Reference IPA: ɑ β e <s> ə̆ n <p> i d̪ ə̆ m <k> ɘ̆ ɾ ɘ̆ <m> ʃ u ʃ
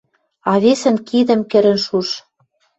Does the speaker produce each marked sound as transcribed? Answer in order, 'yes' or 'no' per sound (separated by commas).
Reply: yes, no, yes, no